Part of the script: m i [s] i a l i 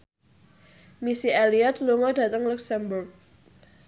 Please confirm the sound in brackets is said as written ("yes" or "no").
yes